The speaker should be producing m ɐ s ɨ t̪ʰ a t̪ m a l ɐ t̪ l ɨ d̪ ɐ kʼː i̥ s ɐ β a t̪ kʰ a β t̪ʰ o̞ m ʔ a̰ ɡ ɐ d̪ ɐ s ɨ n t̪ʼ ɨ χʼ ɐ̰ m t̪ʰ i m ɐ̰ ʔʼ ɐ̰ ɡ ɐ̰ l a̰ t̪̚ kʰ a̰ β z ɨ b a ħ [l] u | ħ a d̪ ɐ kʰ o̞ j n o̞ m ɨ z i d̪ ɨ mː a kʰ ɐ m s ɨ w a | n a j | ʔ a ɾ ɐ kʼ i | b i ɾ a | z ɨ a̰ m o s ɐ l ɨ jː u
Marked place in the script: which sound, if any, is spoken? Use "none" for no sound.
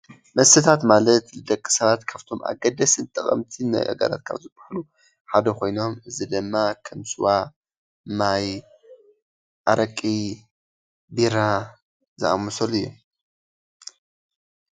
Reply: l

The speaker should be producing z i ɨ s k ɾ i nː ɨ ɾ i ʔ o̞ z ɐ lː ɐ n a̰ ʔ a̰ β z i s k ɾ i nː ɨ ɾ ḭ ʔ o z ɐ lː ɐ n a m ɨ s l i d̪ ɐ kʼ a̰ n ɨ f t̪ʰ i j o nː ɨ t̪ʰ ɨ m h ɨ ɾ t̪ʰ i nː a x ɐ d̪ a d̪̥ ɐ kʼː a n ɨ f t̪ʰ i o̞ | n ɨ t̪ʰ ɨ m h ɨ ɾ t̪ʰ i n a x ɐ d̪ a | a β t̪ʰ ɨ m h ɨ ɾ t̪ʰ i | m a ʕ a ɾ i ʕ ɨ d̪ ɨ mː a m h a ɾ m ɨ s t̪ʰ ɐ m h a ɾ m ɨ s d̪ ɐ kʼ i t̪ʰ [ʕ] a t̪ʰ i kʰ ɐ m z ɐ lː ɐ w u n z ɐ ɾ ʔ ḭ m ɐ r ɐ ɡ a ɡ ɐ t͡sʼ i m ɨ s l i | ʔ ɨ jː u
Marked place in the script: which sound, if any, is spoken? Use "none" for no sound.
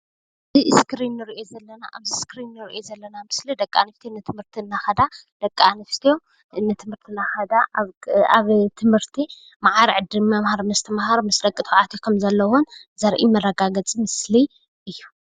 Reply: ʕ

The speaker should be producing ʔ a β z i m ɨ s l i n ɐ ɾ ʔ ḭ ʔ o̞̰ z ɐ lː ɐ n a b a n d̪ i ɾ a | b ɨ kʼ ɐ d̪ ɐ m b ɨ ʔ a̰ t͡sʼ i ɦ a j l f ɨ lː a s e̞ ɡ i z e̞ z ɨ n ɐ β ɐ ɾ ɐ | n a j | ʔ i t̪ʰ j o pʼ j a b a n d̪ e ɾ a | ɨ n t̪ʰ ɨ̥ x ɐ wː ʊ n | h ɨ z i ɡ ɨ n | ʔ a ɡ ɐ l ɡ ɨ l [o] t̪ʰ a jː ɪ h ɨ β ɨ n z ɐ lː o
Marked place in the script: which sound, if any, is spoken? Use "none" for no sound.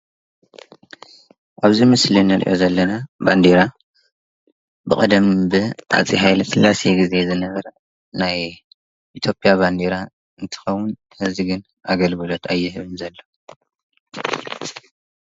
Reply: o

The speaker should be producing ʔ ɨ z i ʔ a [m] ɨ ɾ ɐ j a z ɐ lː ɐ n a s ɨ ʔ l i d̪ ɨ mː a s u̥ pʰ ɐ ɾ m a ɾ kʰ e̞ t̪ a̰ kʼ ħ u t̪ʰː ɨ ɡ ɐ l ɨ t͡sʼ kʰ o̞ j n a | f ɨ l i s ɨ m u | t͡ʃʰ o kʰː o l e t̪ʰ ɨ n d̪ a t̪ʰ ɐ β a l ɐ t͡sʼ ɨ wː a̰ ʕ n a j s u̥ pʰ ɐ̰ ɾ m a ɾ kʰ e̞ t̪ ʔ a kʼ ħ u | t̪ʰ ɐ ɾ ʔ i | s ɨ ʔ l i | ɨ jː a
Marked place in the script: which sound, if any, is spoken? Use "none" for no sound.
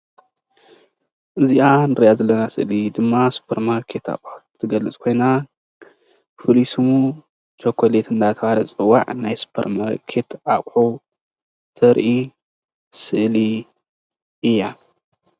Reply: n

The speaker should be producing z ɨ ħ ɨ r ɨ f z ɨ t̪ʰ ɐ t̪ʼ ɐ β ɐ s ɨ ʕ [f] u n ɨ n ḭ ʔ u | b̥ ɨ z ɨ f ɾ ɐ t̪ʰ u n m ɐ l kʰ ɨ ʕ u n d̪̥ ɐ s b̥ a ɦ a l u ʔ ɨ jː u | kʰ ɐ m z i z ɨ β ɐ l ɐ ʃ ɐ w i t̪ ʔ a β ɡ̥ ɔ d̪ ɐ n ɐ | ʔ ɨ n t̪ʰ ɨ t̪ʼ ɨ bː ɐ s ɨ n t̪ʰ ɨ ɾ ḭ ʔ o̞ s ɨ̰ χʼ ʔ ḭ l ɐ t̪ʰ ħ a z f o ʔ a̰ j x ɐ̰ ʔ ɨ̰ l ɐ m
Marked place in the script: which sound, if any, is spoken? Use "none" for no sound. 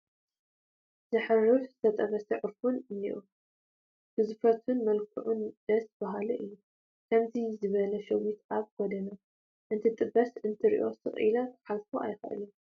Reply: f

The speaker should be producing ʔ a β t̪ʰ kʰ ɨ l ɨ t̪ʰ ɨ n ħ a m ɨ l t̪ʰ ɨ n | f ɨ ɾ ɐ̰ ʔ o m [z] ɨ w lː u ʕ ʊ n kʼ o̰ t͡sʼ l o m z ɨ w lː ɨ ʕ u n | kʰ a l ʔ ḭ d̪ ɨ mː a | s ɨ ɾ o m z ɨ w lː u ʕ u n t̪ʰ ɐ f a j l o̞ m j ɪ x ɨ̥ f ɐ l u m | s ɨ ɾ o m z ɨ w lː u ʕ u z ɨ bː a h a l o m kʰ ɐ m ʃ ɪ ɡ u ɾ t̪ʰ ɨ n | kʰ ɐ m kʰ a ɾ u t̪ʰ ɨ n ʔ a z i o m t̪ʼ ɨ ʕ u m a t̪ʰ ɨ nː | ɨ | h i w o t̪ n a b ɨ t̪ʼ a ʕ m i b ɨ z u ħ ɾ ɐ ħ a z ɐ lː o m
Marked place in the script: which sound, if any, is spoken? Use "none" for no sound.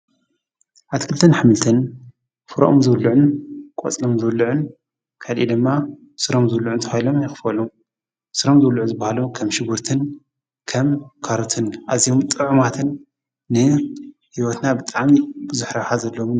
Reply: z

